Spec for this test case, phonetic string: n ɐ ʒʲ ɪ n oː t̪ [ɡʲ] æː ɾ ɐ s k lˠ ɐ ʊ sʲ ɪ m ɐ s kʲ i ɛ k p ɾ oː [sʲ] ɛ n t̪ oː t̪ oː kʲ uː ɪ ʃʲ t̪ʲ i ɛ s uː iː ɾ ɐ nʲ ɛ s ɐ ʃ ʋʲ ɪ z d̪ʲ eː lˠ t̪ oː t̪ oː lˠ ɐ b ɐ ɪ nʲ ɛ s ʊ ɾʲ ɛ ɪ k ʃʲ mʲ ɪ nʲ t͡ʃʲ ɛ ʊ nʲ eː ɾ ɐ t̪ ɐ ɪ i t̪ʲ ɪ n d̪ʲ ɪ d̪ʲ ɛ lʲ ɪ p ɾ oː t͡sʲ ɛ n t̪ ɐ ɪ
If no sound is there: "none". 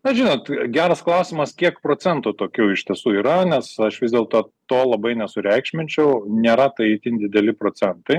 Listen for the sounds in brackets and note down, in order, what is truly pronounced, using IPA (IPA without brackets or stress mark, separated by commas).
ɡʲ, t͡sʲ